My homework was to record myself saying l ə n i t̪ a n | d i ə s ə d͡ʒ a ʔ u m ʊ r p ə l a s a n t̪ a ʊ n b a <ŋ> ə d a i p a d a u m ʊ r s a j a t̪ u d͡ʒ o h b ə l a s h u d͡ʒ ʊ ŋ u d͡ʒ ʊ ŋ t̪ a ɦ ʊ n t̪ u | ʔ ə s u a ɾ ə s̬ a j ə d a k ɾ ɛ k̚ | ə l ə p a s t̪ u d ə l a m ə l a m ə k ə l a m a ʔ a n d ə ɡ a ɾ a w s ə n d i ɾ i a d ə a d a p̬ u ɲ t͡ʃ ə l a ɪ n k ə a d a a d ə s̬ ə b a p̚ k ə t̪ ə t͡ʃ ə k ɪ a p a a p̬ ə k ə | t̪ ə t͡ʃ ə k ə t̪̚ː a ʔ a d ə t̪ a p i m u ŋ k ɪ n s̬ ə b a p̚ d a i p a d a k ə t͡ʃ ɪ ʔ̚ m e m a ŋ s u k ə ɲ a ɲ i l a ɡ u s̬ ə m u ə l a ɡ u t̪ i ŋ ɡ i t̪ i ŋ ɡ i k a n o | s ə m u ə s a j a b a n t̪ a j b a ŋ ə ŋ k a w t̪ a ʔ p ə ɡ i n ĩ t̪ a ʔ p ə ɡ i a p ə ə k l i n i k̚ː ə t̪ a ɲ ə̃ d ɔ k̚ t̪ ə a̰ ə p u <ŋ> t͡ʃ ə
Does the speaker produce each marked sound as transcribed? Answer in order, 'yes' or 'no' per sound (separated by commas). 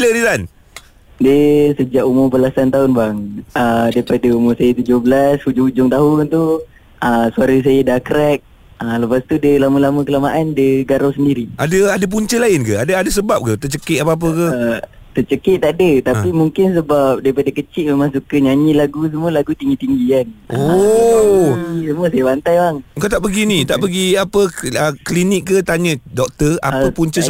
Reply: yes, no